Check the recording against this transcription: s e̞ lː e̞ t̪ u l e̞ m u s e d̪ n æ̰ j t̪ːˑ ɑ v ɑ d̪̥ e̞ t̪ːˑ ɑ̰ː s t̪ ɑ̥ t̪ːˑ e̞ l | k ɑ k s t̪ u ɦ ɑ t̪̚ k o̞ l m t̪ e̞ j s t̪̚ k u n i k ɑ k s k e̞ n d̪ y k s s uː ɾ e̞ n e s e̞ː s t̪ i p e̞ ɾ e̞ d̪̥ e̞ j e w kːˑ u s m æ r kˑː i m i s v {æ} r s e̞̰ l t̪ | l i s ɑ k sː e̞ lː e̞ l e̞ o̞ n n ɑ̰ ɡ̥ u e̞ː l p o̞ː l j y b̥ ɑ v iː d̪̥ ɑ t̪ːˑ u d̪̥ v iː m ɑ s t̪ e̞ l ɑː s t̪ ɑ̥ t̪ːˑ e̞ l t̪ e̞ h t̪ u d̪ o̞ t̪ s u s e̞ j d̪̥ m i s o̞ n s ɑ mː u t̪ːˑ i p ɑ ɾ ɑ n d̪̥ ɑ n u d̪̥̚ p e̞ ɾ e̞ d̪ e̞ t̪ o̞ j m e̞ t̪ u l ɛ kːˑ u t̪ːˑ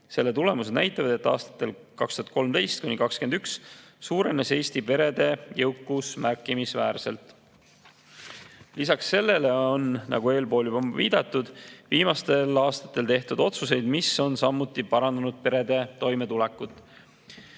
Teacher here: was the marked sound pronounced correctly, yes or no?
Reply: no